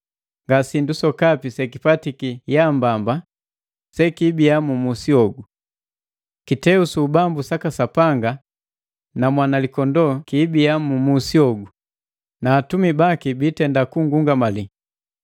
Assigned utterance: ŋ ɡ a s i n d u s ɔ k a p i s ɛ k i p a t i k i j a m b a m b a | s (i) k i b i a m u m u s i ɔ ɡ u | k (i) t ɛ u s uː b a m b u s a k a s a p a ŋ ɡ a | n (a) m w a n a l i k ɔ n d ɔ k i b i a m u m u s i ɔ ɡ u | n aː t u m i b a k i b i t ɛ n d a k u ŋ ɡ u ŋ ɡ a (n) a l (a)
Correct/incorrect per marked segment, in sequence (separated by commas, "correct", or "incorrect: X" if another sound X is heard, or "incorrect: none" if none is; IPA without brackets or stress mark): incorrect: ɛ, correct, correct, incorrect: m, incorrect: i